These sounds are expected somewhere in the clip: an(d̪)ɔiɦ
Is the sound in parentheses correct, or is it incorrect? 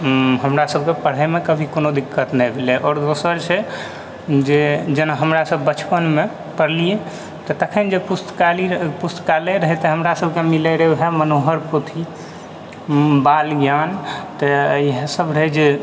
incorrect